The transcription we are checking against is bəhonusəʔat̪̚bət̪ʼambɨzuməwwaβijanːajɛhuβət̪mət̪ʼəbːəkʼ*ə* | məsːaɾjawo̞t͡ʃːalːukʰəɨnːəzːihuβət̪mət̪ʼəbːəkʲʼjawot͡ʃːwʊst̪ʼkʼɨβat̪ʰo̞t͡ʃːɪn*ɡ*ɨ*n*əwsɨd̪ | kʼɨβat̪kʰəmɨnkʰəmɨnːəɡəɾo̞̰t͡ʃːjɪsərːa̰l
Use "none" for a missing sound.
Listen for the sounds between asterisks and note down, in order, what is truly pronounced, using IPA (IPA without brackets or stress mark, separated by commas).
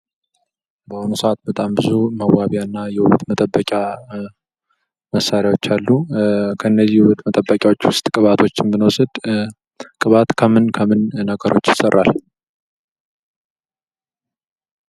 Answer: a, b, n